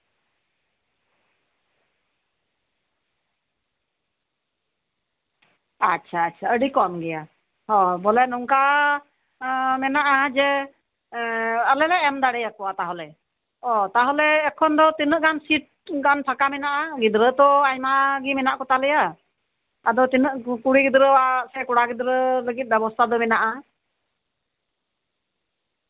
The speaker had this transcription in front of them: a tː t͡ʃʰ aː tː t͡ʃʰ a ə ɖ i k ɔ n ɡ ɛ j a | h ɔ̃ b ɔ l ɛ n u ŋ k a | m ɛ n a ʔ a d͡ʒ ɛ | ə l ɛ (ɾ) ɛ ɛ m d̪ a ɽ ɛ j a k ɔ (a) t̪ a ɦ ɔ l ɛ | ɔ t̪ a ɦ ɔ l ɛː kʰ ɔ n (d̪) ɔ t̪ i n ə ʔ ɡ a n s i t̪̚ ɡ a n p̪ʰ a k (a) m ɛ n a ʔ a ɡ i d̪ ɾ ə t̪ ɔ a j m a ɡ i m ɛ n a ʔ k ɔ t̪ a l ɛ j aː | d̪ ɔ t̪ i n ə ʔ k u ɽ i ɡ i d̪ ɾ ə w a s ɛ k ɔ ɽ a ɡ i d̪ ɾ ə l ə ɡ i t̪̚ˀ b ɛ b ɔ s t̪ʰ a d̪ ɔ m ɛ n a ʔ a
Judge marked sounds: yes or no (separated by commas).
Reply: no, yes, yes, yes